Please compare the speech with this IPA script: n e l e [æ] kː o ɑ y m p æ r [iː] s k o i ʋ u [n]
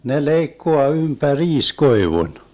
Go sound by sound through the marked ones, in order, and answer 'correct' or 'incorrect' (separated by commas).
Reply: incorrect, correct, correct